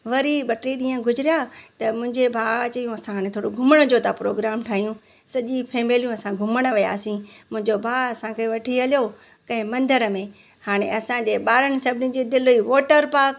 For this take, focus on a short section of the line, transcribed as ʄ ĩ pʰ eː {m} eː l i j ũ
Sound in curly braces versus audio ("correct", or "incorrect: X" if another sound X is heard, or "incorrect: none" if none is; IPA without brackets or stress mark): correct